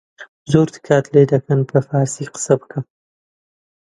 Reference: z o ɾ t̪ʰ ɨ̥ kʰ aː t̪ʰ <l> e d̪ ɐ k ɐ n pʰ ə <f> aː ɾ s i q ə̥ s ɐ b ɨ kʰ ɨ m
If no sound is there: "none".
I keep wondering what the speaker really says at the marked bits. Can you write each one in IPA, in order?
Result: l, f

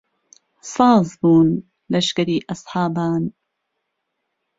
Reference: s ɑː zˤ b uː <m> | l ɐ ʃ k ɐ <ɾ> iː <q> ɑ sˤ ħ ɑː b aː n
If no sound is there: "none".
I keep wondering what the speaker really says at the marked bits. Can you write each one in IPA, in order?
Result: n, ɾ, ʔ

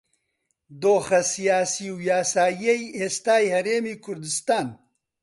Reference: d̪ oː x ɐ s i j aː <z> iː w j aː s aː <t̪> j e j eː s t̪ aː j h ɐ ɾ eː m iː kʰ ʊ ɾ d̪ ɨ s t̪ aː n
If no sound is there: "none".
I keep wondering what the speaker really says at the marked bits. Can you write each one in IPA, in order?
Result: s, none

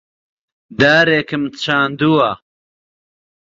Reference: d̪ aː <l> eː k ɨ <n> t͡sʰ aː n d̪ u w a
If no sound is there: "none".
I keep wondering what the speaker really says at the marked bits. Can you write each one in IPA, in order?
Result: ɾ, m

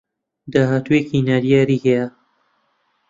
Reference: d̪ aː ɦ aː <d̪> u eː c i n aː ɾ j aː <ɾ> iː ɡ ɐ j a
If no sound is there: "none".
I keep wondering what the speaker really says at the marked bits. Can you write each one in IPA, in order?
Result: t̪, ɾ

